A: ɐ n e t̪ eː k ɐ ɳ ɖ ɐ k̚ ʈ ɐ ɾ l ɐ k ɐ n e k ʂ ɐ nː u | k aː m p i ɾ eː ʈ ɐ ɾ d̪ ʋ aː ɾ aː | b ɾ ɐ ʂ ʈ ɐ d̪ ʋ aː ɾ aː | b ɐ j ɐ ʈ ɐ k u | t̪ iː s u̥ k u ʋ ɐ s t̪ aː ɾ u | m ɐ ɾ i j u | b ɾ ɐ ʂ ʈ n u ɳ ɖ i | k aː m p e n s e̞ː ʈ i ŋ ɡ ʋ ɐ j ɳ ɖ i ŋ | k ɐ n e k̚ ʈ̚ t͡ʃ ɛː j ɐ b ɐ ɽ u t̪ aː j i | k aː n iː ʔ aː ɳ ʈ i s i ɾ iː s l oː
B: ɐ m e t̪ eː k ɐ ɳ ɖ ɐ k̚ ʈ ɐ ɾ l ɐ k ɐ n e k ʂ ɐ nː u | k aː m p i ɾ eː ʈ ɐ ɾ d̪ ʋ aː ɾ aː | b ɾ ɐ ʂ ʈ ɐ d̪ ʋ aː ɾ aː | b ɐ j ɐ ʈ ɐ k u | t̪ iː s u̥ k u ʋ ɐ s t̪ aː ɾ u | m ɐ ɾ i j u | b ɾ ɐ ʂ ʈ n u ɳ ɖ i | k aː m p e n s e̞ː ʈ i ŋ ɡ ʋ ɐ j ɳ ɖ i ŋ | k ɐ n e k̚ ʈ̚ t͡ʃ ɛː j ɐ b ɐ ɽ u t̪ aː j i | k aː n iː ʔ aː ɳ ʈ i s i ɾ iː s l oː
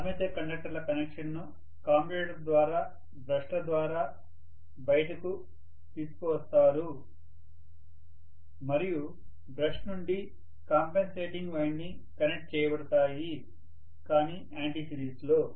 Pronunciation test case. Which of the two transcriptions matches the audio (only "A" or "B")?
B